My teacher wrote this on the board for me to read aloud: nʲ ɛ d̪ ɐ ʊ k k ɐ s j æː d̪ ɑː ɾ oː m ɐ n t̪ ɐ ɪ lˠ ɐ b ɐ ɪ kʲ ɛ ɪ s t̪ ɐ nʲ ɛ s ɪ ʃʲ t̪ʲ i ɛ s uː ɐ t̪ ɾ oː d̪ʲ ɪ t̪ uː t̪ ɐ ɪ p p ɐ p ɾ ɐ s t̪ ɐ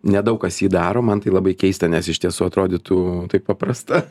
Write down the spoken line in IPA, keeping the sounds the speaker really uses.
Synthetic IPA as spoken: nʲ ɛ d̪ ɐ ʊ k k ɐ s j iː d̪ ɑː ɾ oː m ɐ n t̪ ɐ ɪ lˠ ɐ b ɐ ɪ kʲ ɛ ɪ s t̪ ɐ nʲ ɛ s ɪ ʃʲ t̪ʲ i ɛ s uː ɐ t̪ ɾ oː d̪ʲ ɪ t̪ uː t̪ ɐ ɪ p p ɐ p ɾ ɐ s t̪ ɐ